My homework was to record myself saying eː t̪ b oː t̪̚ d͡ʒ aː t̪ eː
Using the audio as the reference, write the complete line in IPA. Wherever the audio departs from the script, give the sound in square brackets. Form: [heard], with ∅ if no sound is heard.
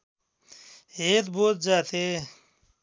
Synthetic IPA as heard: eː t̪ b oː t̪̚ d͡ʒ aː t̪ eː